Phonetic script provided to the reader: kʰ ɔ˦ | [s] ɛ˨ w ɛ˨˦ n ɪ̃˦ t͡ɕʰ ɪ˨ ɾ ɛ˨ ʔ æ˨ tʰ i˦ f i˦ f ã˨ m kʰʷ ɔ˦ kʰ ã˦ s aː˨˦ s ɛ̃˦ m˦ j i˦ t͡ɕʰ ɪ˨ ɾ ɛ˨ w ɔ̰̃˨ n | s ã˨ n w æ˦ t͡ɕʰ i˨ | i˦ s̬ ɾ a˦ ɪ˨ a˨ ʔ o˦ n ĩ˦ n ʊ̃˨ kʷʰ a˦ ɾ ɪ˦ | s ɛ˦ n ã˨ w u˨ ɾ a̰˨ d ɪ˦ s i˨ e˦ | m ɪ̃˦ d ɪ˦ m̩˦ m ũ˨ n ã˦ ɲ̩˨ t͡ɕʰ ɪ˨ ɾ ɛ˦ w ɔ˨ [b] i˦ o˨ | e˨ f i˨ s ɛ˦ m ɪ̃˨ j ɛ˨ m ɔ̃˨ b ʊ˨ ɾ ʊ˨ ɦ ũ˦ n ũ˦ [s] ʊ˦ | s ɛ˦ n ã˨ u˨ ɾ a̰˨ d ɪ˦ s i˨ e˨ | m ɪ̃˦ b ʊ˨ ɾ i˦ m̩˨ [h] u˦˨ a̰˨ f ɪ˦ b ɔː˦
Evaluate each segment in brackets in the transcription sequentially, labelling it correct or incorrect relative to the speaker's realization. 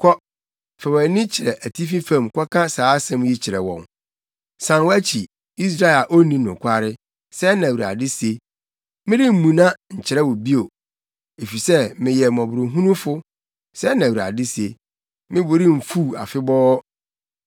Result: incorrect: f, correct, incorrect: f, incorrect: f

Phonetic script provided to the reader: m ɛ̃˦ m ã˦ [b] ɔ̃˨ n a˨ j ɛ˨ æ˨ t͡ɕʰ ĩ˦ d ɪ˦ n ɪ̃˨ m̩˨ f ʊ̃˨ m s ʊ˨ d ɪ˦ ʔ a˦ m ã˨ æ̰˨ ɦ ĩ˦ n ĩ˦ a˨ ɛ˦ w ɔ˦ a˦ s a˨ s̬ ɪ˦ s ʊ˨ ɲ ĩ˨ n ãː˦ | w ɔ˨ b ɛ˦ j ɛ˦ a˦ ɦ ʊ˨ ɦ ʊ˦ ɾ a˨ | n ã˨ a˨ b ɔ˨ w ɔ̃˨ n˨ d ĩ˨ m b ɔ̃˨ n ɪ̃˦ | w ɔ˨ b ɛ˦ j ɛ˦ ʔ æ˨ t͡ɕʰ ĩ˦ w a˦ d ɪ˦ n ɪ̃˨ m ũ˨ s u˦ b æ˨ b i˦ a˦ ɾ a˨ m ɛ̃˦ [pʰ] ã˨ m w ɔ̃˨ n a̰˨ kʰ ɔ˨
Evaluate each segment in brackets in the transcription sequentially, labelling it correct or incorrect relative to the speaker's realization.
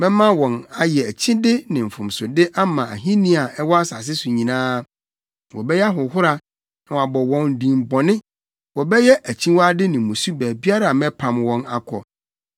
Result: incorrect: w, correct

